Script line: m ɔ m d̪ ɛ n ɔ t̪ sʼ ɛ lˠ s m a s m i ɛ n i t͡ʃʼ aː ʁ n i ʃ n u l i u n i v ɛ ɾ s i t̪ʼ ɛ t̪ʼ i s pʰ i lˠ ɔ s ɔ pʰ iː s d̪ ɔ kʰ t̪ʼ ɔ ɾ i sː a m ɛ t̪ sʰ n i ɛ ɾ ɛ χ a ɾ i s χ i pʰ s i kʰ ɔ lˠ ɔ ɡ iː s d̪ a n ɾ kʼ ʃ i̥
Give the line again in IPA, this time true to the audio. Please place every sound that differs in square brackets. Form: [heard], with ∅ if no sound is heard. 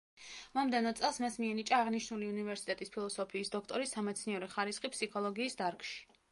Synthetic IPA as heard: m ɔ m d̪ ɛ n ɔ t̪ sʼ ɛ lˠ s m a s m i ɛ n i t͡ʃʼ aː ʁ n i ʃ n u l i u n i v ɛ ɾ s i t̪ʼ ɛ t̪ʼ i s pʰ i lˠ ɔ s ɔ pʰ iː s d̪ ɔ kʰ t̪ʼ ɔ ɾ i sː a m ɛ t̪ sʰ n i ɛ ɾ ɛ χ a ɾ i s χ i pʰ s i kʰ ɔ lˠ ɔ ɡ iː s d̪ a [∅] ɾ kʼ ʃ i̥

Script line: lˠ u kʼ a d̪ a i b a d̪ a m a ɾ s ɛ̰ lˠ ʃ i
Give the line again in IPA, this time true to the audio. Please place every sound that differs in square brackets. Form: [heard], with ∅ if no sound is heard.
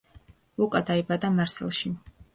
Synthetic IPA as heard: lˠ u kʼ a d̪ a i b a d̪ a m a ɾ s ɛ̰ lˠ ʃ i

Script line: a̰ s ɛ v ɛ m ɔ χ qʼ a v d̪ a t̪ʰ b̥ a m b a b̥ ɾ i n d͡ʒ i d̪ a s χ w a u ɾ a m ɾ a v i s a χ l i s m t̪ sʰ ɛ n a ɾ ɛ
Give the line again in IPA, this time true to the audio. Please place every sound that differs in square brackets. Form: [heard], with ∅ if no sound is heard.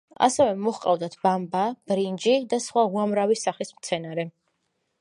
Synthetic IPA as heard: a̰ s ɛ v ɛ m ɔ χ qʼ a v d̪ a t̪ʰ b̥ a m b a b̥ ɾ i n d͡ʒ i d̪ a s χ w a u [∅] a m ɾ a v i s a χ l i s m t̪ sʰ ɛ n a ɾ ɛ

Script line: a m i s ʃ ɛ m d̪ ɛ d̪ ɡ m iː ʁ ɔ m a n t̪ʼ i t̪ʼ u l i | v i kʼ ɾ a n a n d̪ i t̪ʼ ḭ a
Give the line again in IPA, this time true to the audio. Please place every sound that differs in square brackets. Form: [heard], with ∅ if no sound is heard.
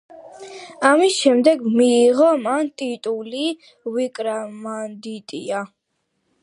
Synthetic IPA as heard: a m i s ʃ ɛ m d̪ ɛ [∅] ɡ m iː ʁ ɔ m a n t̪ʼ i t̪ʼ u l i | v i kʼ ɾ a [m] a n d̪ i t̪ʼ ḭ a

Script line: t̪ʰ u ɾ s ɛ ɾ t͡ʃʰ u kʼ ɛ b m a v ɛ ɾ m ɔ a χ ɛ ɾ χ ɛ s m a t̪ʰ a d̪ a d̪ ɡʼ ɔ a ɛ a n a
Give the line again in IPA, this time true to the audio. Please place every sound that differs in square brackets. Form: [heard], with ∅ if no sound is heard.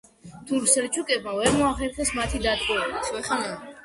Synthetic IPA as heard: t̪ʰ u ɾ s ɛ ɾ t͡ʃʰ u kʼ ɛ b m a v ɛ ɾ m ɔ a χ ɛ ɾ χ ɛ s m a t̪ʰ [i] d̪ a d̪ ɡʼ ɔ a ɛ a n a

